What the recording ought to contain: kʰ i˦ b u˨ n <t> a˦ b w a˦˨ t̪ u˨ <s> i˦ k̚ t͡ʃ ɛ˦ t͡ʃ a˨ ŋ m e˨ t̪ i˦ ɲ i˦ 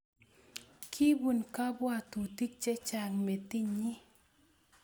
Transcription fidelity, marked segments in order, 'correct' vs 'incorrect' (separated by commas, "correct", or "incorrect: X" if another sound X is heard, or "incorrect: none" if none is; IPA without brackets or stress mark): incorrect: k, incorrect: t